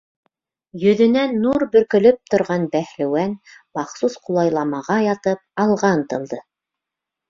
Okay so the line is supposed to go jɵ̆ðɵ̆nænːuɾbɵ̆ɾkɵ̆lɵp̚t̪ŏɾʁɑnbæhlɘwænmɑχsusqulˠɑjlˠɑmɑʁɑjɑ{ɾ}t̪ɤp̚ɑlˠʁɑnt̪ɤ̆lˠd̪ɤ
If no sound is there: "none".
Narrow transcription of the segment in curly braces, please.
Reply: none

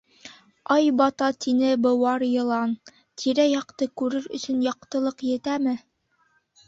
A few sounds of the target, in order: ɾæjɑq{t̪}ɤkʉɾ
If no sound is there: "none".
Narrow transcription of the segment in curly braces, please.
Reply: t̪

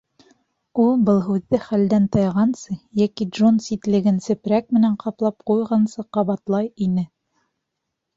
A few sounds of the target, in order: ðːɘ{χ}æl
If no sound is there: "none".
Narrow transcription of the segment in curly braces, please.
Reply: χ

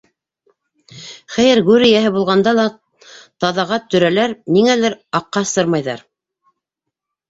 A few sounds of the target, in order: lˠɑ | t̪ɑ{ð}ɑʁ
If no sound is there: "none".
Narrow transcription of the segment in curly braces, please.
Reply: ð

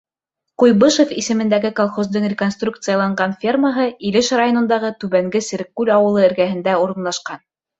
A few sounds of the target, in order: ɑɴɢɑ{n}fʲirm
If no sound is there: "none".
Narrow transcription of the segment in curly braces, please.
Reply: n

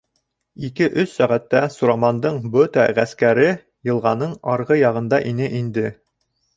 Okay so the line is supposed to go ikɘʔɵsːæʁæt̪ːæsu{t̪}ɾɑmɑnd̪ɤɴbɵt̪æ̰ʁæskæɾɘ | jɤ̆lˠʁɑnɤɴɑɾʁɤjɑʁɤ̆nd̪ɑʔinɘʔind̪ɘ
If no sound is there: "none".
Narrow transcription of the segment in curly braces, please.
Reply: none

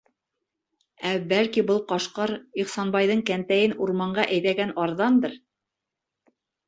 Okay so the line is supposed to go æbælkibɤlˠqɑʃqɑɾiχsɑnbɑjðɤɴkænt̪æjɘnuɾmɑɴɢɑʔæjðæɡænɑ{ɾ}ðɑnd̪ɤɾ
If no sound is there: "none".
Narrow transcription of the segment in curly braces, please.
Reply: ɾ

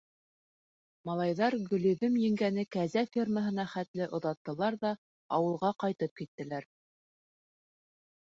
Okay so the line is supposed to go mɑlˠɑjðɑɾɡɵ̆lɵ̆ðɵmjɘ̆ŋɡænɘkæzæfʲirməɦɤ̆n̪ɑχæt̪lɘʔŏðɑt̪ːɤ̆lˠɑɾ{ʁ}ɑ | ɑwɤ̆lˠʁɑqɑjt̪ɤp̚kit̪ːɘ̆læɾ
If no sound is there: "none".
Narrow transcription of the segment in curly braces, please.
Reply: ð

